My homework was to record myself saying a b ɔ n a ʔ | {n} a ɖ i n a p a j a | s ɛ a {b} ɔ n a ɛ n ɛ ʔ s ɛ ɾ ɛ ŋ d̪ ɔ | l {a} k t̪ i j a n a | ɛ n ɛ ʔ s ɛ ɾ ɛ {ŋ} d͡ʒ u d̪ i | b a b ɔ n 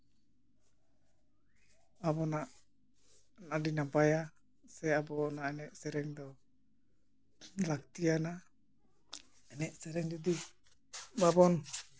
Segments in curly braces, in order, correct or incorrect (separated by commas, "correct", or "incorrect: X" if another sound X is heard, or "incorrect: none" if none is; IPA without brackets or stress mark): correct, correct, correct, correct